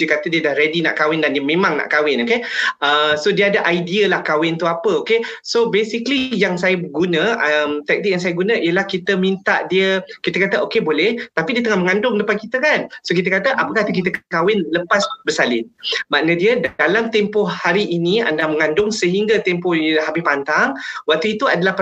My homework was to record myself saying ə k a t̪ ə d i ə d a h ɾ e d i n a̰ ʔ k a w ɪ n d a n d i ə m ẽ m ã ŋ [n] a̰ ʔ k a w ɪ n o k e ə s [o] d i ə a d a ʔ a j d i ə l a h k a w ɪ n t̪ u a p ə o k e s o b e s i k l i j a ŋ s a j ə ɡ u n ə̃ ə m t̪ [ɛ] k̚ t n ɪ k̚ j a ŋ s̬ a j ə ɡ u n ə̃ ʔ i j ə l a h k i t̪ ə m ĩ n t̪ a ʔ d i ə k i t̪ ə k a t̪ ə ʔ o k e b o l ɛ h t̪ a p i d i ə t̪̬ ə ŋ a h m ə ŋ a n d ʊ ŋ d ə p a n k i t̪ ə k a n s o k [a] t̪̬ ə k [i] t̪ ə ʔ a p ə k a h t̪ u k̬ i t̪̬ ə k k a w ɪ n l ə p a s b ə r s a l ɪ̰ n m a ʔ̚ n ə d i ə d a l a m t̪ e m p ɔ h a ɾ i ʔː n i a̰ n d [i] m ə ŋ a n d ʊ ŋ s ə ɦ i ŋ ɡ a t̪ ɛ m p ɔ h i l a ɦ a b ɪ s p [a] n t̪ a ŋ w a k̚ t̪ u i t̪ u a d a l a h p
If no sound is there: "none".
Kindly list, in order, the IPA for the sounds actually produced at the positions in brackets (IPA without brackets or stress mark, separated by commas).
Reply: n, o, ɛ, i, a, a, a